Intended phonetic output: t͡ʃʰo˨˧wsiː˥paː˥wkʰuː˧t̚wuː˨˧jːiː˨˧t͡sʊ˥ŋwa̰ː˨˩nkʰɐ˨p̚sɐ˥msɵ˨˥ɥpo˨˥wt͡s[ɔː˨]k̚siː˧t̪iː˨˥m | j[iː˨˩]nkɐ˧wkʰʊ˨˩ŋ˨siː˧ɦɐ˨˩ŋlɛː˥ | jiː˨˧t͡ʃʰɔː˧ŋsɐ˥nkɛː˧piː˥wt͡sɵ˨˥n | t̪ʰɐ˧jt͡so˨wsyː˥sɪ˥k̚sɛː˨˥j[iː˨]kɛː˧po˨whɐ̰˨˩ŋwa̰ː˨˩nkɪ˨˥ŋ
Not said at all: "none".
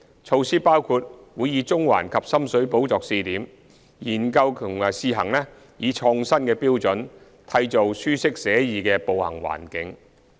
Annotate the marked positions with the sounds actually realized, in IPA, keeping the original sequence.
ɔː˨, iː˨˩, iː˨

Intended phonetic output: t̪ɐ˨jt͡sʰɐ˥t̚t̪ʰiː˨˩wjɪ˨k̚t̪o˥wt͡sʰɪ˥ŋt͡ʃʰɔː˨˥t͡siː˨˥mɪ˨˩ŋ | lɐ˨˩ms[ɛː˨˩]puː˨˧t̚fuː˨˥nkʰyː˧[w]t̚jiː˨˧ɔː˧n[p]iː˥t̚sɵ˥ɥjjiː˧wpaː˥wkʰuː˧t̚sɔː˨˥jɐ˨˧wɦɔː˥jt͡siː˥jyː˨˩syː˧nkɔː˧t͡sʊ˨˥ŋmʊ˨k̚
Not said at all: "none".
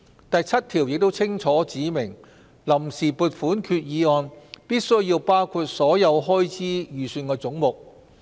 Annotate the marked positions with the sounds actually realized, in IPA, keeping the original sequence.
iː˨˩, none, p

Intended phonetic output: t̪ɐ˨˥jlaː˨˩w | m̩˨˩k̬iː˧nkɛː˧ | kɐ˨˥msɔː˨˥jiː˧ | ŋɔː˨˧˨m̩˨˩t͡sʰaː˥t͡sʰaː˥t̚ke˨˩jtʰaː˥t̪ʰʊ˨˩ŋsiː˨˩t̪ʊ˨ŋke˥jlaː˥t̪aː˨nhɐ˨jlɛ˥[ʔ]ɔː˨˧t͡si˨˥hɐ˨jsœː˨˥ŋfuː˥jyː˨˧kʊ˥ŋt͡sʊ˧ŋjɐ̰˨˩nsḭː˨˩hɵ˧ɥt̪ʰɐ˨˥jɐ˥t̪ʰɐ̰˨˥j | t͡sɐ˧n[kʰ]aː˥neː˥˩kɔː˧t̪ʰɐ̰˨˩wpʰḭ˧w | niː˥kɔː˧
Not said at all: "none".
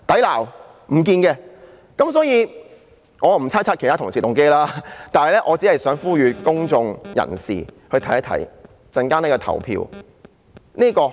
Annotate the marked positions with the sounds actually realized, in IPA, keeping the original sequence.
ʔ, k

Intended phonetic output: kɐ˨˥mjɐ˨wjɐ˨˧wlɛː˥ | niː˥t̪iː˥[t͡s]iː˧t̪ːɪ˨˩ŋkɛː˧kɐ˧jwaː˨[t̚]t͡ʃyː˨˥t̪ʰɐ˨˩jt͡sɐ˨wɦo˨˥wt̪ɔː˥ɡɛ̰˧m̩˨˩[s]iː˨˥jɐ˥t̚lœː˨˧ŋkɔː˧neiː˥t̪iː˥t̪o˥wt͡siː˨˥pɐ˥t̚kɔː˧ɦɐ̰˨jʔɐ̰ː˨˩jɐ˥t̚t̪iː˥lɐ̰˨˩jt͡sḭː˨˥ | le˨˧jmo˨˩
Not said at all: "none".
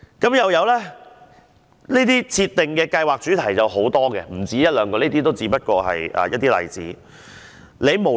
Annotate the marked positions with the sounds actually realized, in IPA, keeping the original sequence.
t͡sʰ, k̚, t͡s

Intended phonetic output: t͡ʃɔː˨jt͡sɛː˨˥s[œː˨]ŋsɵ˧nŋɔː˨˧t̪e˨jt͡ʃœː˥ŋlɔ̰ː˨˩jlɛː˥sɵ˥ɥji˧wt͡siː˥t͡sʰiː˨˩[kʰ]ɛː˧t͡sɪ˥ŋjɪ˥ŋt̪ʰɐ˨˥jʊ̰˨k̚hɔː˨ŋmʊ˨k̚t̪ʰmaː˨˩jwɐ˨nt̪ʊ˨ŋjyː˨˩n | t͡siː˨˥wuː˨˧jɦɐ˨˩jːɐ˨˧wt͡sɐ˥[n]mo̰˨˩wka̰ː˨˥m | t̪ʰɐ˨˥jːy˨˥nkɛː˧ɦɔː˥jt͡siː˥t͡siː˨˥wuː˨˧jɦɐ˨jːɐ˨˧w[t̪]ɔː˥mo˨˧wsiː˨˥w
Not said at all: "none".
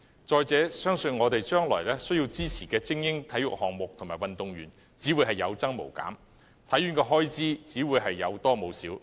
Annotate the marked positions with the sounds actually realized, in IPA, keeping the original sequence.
œː˥, k, ŋ, t̪

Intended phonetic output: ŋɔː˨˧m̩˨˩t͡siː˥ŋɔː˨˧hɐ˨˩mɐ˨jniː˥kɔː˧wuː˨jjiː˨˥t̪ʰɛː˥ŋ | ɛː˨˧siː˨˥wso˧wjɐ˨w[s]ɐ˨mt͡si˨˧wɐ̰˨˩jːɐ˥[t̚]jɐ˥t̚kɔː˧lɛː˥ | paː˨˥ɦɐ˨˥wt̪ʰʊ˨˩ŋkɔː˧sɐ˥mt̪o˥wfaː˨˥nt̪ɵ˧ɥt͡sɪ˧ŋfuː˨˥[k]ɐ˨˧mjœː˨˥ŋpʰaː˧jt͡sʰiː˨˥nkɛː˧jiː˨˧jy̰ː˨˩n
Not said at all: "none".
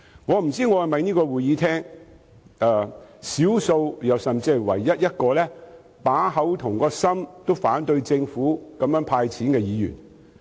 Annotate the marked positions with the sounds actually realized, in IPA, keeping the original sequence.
s, t̚, k

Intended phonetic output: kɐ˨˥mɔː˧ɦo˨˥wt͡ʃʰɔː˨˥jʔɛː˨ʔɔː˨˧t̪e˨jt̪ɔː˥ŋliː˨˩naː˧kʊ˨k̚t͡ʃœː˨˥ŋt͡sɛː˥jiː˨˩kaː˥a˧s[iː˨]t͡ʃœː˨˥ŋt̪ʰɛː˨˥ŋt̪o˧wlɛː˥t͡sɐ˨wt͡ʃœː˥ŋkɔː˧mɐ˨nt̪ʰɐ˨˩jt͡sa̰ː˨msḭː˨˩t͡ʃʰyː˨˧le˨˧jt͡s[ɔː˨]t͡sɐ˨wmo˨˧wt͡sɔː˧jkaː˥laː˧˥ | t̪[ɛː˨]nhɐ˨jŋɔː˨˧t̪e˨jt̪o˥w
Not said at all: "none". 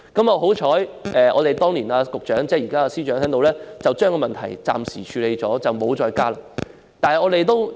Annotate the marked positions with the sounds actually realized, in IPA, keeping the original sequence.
iː˥, ɔː˨˥, aː˨

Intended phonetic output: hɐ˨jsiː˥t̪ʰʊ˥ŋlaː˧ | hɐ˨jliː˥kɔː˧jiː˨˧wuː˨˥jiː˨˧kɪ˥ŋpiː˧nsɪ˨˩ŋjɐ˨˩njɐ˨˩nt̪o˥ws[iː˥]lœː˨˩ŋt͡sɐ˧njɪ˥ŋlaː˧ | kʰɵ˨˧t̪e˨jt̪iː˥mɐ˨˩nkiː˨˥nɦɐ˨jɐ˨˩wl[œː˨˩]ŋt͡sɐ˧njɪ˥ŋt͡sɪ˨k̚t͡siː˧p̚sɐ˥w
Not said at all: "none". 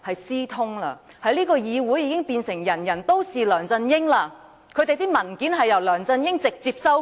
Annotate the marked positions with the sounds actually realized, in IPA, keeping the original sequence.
iː˨, œː˨˩

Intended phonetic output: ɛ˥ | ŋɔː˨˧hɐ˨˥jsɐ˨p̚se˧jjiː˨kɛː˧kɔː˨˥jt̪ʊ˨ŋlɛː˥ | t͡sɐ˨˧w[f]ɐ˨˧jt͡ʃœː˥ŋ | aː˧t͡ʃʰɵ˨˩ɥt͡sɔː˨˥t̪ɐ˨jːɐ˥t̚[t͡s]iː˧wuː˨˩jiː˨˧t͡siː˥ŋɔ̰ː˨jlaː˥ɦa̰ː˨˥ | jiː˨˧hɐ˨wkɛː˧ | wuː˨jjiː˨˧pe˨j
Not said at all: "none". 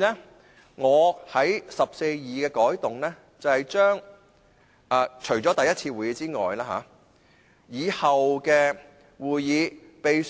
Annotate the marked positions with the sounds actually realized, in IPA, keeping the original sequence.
h, t͡sʰ

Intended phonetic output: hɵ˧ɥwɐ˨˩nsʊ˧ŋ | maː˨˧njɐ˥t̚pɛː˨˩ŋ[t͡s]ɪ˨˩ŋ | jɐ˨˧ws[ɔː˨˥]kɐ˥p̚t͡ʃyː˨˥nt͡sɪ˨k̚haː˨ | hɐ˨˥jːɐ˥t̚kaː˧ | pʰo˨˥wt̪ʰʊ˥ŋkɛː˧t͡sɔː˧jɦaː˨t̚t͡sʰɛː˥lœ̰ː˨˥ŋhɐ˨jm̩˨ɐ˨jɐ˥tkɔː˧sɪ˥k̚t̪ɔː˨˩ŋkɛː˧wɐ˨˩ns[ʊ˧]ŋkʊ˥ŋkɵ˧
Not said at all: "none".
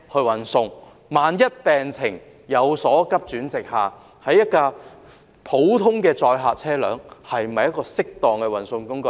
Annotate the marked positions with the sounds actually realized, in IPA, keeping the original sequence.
t͡sʰ, ɔː˨˥, ʊ˧

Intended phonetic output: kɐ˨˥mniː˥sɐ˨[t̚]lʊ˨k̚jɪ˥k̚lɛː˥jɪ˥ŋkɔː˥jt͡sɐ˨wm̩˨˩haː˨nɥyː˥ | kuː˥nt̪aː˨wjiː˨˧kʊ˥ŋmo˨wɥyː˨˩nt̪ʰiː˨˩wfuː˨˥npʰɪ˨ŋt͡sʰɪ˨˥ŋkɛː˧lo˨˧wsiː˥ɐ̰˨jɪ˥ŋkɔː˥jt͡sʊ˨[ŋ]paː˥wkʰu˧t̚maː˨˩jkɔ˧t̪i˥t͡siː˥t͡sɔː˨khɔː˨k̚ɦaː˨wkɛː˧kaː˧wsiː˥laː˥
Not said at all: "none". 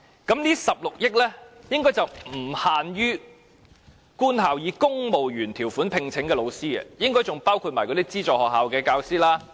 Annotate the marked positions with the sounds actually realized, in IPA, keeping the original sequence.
p̚, ŋ

